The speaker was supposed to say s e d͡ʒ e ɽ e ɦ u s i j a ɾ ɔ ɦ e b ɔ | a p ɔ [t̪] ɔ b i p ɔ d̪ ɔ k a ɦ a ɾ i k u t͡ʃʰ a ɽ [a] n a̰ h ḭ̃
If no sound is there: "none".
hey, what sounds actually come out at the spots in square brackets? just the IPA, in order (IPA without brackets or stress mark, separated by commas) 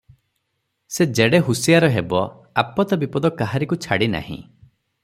t̪, i